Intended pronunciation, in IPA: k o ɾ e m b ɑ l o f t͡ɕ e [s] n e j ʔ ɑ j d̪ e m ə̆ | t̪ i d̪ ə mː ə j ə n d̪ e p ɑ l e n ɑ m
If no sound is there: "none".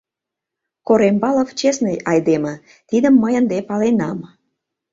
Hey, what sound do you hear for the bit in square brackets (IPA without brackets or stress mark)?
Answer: s